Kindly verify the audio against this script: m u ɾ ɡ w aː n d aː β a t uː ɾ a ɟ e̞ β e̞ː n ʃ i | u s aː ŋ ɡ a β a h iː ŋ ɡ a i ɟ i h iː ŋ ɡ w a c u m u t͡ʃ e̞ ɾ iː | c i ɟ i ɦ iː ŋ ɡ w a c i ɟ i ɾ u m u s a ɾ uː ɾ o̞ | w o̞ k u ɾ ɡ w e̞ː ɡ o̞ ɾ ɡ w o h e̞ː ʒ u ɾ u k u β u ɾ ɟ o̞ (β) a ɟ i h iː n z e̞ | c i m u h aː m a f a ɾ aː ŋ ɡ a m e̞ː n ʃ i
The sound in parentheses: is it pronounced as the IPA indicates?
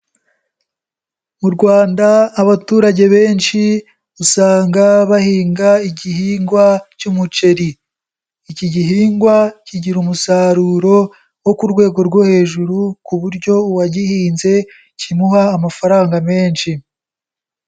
no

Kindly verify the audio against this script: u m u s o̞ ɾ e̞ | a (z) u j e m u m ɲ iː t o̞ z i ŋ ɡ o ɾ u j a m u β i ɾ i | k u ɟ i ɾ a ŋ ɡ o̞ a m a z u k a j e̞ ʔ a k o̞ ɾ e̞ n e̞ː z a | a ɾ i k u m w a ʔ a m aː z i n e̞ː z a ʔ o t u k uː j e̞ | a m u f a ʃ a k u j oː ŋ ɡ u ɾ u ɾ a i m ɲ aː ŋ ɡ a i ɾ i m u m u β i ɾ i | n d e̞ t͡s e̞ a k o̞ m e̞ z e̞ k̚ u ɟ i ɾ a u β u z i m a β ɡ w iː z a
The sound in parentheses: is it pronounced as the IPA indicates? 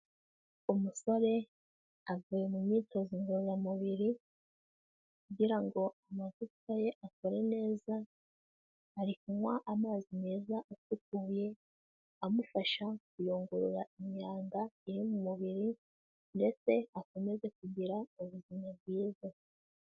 no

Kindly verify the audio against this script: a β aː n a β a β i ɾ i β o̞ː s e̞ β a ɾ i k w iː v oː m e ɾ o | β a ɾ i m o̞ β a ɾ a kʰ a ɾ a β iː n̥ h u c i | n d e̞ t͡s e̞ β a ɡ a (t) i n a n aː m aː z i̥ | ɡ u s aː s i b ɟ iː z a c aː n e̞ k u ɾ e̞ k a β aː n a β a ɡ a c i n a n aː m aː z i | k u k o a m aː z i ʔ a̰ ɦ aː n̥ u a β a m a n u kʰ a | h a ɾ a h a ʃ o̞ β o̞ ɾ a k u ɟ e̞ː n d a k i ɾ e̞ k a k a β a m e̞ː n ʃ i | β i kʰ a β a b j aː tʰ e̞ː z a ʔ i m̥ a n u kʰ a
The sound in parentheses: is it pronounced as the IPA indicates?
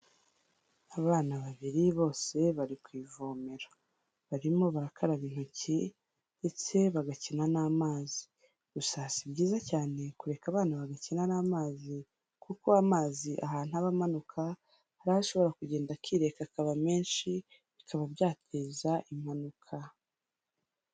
no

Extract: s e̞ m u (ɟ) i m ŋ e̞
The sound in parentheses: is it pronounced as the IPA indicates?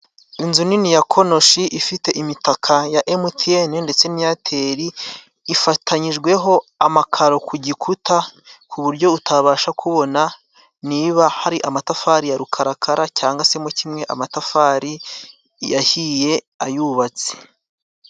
no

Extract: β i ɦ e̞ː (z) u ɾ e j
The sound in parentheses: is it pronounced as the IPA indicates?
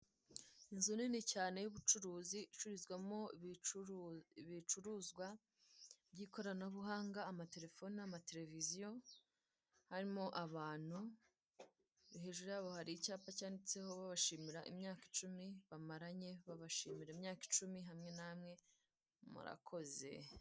no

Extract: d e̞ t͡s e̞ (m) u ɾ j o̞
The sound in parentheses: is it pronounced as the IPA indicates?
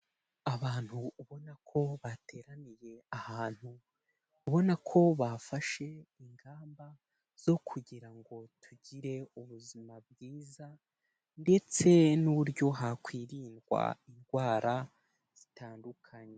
no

